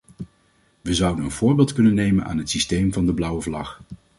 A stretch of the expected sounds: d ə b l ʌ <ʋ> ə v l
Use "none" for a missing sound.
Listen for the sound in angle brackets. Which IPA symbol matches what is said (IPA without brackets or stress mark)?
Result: w